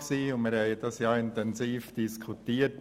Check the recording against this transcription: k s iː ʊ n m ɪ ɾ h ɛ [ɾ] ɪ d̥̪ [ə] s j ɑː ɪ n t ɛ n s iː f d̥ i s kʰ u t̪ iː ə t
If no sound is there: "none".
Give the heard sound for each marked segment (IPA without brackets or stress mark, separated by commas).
none, ɑ